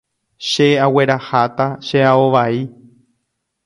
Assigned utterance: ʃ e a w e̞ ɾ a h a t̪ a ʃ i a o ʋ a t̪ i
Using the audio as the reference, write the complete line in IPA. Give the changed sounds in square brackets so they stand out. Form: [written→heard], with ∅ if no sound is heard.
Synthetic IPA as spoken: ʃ e a w e̞ ɾ a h a t̪ a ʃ [i→e] a o ʋ a [t̪→∅] i